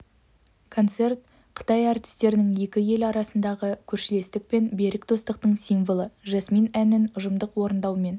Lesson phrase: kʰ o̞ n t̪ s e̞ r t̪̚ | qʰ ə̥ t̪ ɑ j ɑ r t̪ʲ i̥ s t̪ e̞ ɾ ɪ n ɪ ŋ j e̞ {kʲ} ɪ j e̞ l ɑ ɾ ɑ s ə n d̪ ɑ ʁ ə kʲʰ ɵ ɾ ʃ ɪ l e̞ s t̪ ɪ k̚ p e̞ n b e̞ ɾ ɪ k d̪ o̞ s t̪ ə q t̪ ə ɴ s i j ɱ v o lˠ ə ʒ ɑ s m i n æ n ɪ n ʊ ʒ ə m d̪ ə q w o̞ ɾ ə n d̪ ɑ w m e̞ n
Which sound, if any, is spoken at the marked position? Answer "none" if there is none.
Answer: kʲ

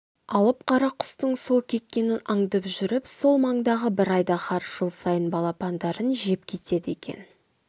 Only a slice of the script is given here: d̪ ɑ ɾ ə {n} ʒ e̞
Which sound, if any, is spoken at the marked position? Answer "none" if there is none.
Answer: n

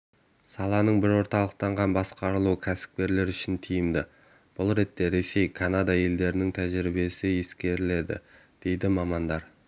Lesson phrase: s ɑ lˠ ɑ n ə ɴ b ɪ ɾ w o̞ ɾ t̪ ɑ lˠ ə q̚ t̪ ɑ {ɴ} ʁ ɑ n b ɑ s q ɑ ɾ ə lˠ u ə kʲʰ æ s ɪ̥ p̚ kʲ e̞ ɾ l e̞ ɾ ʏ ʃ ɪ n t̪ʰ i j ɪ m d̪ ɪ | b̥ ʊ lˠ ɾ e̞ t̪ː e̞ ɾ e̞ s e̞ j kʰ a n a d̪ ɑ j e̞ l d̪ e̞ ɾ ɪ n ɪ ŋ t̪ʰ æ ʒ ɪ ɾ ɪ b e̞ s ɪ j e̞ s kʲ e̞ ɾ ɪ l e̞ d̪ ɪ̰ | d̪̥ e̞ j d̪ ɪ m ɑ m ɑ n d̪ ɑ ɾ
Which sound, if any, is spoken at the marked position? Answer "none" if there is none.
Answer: ɴ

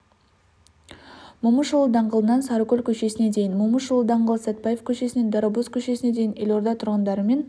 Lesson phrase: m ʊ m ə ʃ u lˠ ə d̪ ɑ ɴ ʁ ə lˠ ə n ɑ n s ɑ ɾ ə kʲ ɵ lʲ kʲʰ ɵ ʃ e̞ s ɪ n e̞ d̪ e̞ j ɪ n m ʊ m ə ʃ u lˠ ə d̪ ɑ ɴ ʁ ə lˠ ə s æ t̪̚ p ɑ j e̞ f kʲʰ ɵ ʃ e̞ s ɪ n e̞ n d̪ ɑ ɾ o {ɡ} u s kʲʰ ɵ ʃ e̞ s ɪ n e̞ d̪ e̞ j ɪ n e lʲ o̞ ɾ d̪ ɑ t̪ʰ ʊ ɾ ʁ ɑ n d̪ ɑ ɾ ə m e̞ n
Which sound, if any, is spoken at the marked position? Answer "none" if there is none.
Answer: b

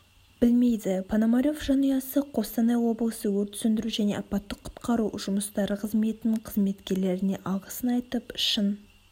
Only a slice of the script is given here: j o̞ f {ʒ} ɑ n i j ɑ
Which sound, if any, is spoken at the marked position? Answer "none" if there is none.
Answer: ʒ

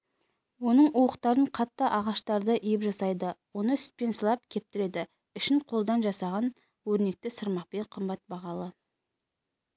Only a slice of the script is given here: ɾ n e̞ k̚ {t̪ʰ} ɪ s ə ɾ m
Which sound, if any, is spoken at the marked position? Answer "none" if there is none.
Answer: t̪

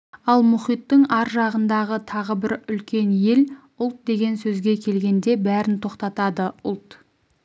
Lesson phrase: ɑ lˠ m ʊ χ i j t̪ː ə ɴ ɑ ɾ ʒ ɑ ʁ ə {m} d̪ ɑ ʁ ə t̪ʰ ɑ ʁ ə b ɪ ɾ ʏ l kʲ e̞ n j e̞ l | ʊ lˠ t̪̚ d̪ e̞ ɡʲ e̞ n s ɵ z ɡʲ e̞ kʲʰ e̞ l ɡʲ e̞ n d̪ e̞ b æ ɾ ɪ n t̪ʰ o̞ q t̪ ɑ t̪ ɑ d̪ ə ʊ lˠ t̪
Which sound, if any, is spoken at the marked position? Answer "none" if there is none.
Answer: n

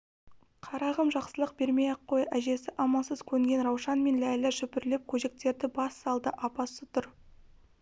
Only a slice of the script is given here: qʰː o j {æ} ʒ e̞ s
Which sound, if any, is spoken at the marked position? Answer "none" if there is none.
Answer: æ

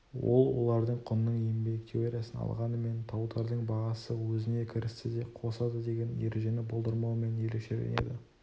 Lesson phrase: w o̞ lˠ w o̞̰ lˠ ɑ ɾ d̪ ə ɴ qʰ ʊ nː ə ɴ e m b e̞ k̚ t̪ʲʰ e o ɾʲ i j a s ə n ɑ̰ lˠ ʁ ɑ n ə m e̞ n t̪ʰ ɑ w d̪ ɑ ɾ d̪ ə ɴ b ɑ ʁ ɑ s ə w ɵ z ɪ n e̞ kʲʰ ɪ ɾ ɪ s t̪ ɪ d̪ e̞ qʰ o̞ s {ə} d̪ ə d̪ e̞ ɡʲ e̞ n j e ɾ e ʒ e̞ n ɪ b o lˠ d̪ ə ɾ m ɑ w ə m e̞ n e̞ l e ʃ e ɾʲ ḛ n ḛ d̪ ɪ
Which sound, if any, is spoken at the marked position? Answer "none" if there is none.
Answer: ɑ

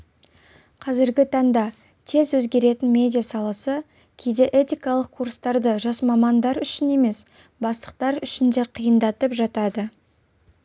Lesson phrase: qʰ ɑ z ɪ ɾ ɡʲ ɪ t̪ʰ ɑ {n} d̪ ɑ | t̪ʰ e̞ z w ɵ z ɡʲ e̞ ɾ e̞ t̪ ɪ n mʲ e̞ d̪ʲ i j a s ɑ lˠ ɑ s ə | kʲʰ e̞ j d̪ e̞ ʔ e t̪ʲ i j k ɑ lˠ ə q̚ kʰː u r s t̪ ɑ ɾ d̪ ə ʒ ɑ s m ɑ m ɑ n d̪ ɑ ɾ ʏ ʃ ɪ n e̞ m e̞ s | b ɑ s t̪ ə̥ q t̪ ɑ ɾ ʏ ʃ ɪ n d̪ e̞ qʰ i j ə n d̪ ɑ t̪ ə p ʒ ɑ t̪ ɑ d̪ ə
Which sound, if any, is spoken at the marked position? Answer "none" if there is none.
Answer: ɴ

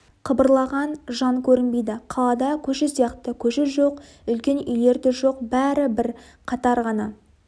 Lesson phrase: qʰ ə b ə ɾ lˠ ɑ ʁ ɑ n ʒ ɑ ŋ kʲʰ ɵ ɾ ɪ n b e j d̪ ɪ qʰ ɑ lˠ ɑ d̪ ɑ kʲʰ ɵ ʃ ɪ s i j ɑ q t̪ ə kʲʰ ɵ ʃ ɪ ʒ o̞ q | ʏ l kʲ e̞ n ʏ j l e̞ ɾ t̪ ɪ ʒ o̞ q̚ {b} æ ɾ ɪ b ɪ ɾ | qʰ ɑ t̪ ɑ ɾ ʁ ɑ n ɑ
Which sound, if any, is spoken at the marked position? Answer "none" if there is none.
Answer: b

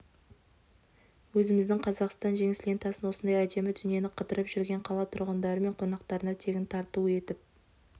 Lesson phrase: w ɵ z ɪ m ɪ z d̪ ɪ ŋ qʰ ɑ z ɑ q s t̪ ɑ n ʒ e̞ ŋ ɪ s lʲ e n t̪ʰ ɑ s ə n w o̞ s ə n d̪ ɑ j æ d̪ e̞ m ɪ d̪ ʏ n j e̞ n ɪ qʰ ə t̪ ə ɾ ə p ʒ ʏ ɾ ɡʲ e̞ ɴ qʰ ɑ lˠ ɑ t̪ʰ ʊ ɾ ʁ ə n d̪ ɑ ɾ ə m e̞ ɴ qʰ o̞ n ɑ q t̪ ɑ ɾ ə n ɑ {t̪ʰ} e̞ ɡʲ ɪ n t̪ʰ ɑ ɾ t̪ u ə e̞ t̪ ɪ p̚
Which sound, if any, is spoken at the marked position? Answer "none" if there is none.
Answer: t̪ʰ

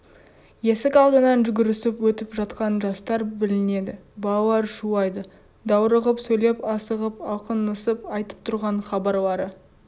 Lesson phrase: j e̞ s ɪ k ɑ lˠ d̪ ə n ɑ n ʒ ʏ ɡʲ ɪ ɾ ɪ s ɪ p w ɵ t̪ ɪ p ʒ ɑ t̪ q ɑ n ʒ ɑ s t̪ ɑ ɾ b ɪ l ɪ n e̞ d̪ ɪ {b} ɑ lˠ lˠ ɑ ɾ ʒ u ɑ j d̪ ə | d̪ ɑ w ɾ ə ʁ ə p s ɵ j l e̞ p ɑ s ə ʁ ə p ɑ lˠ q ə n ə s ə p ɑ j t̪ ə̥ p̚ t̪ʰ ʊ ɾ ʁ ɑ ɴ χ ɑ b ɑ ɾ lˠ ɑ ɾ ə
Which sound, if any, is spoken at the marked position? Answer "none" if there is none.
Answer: b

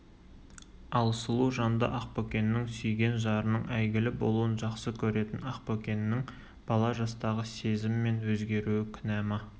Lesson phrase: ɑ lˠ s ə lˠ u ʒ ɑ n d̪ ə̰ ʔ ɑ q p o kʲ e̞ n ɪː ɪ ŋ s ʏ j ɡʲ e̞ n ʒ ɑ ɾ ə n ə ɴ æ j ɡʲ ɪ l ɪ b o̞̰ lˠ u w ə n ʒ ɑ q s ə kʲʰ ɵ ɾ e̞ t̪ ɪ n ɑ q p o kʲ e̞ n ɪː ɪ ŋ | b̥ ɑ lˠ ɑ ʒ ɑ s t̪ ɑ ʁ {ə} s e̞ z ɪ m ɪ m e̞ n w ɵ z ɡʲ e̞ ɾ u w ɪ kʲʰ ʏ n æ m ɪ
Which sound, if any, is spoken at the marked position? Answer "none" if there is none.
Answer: ə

